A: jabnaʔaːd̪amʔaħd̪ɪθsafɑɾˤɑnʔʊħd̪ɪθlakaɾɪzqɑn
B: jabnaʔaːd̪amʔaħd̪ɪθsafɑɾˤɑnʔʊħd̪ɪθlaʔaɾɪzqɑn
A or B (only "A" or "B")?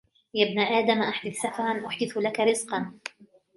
A